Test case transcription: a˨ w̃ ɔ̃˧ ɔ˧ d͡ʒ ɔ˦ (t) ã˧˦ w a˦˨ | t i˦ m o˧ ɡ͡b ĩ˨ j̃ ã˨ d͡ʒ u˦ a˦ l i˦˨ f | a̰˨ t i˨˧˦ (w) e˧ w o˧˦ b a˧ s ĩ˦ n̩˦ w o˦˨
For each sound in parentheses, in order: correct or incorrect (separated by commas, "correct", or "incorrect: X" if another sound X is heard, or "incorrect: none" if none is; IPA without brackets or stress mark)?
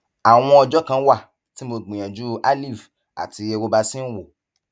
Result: incorrect: k, incorrect: none